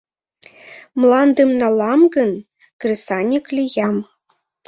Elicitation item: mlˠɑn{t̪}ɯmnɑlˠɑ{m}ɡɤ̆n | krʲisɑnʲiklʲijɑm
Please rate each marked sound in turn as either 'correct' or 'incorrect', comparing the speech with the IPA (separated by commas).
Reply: incorrect, correct